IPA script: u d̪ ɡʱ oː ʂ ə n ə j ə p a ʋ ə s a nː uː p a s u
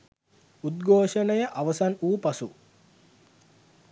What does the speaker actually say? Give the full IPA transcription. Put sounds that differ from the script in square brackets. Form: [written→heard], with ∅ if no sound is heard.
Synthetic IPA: u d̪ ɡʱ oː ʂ ə n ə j ə [p→ʔ] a ʋ ə s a [nː→n] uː p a s u